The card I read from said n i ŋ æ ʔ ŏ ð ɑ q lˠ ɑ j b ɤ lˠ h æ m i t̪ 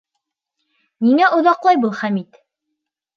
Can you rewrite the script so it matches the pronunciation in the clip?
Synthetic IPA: n i ŋ æ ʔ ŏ ð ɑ q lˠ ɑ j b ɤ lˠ χ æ m i t̪